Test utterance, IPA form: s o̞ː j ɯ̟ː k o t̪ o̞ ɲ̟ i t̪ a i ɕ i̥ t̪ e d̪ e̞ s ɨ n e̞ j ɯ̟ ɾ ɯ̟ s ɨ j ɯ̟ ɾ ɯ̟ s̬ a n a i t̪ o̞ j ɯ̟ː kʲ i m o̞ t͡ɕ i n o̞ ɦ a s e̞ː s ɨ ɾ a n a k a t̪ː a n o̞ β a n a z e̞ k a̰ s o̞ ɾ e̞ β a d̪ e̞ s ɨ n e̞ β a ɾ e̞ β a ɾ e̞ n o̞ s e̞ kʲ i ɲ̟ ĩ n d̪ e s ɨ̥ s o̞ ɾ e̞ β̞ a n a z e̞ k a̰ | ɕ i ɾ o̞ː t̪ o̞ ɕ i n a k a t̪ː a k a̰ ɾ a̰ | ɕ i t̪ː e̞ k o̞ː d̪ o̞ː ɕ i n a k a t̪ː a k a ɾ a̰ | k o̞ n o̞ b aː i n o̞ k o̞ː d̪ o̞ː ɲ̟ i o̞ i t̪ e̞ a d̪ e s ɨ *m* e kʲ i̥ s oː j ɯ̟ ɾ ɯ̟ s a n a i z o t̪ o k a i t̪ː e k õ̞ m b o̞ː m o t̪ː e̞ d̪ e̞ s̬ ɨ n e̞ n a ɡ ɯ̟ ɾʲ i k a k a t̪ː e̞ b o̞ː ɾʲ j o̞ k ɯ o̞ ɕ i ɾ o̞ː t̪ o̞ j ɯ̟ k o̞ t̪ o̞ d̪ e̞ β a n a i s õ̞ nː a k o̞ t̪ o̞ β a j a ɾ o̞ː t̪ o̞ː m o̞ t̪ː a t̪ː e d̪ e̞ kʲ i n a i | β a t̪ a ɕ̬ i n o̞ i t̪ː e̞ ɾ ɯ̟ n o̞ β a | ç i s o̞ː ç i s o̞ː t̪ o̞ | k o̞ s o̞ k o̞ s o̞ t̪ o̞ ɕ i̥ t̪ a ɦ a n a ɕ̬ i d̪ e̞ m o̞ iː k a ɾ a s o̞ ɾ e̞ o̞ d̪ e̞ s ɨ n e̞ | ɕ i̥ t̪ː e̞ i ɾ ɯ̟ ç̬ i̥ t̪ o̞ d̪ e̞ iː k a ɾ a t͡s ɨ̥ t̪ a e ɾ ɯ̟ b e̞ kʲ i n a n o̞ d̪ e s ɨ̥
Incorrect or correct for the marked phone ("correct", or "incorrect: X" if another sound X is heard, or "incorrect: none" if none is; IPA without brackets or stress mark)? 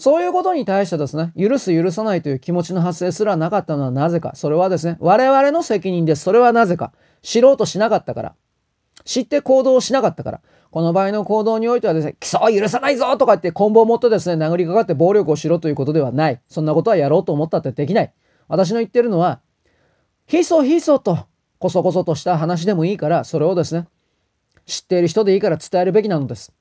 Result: incorrect: n